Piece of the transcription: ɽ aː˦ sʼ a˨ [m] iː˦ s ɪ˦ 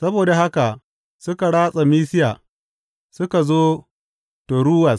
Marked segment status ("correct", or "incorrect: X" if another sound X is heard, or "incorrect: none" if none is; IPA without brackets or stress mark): correct